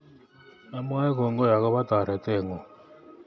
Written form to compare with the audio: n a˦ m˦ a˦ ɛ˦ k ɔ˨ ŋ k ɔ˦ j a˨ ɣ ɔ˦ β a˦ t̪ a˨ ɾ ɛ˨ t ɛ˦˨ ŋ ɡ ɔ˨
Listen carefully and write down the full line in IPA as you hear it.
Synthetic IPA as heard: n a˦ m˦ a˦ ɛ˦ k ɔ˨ ŋ ɡ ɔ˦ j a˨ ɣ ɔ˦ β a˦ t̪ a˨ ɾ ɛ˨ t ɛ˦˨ ŋ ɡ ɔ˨

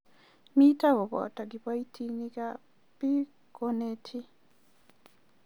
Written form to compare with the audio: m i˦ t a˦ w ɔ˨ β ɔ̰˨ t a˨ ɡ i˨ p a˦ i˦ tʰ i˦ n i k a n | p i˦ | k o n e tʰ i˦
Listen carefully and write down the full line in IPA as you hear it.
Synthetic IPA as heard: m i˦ t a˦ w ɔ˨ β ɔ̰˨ t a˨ ɡ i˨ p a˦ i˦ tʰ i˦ n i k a | p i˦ | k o n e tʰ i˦

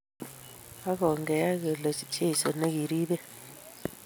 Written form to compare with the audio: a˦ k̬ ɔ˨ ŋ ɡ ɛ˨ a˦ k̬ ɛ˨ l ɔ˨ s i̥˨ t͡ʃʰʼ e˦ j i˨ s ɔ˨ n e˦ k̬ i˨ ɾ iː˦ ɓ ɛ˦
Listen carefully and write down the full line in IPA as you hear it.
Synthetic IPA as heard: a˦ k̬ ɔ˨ ŋ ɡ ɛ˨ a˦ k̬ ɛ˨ l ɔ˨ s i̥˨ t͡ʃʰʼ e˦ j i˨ s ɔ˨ n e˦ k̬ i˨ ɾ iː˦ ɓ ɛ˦

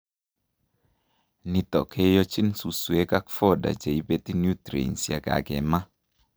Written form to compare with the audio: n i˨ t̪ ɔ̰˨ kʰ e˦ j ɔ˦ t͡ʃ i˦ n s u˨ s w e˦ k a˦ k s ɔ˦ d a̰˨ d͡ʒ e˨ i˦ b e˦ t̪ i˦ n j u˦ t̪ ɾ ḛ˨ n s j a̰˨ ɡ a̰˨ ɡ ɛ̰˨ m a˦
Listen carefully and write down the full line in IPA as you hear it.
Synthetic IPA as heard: n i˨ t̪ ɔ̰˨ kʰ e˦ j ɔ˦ t͡ʃ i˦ n s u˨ s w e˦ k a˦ k f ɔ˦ d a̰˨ d͡ʒ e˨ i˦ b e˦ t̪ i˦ n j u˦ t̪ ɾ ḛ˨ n s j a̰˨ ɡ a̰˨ ɡ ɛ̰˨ m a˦

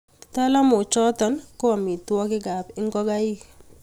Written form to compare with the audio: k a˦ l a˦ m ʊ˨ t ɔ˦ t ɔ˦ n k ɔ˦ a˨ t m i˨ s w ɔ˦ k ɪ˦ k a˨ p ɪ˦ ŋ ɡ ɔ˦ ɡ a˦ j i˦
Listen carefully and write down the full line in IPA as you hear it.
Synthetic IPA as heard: t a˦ l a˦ m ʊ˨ t͡ʃ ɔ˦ t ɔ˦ n k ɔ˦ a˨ m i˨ t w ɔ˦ k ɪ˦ ɡ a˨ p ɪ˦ ŋ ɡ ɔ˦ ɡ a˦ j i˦

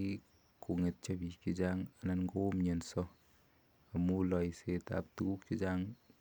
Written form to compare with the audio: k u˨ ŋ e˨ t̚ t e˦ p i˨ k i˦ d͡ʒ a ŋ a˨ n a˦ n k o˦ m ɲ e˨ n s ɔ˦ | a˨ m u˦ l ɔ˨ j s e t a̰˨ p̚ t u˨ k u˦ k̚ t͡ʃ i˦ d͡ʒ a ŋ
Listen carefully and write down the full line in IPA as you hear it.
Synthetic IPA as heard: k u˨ ŋ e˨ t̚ t͡ʃ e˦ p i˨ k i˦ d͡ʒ a ŋ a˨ n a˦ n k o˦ m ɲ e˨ n s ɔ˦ | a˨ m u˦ l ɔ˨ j s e t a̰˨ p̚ t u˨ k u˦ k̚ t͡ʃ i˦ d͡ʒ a ŋ

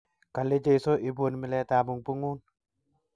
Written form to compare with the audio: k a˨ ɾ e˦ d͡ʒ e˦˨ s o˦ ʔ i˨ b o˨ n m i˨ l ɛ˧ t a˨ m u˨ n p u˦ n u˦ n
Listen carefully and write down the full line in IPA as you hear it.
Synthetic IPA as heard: k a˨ l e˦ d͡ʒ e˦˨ s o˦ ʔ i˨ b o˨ n m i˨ l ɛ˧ t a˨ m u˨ ŋ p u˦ ŋ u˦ n

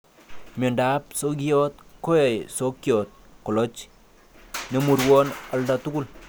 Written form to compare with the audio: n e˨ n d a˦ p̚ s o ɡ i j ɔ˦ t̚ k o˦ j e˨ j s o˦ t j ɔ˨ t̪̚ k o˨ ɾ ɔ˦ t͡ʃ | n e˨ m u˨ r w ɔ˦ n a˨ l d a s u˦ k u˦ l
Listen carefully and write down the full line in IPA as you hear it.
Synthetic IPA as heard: m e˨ n d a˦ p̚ s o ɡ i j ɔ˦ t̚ k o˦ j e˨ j s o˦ k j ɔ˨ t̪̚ k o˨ l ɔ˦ t͡ʃ | n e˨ m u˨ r w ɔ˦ n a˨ l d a t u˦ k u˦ l

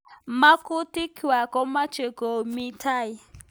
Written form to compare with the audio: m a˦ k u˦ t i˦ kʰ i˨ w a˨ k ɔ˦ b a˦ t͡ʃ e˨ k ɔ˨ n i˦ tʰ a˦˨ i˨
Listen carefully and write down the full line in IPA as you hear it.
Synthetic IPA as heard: m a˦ k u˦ t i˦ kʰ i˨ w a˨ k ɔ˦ m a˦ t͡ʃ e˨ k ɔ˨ m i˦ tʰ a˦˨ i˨

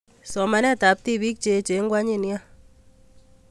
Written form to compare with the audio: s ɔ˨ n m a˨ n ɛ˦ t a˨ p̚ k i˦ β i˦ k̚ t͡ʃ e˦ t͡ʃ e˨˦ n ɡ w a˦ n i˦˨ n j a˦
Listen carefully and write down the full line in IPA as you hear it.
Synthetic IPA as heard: s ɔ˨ m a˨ n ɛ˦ t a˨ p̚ t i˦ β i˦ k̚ t͡ʃ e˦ t͡ʃ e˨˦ ŋ ɡ w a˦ ɲ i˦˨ n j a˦

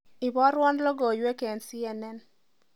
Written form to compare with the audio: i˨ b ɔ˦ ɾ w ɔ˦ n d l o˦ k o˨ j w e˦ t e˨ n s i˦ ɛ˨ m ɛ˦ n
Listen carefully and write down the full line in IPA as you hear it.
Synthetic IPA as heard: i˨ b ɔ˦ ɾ w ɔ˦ n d l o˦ ɡ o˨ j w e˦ k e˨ n s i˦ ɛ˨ n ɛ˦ n

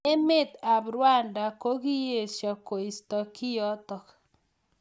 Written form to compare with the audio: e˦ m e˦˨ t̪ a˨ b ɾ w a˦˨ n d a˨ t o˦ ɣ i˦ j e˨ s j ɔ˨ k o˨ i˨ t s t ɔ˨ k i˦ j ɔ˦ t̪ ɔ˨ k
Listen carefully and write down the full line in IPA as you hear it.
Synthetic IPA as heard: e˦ m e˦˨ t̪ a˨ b ɾ w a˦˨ n d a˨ k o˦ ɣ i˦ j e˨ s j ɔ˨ k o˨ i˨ s t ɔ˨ k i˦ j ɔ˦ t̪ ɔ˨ k

